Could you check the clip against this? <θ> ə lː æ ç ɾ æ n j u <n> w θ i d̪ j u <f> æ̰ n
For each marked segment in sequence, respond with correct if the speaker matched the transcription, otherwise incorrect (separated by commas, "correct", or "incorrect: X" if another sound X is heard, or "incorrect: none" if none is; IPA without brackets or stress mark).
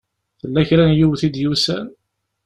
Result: correct, incorrect: none, incorrect: s